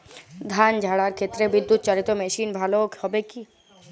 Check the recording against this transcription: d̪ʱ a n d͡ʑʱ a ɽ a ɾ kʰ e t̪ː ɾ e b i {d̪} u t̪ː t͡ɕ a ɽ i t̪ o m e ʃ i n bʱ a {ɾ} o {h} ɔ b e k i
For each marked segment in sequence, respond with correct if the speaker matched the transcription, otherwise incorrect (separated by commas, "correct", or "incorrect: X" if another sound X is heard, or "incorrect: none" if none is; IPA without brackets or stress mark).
incorrect: d̪ː, incorrect: l, correct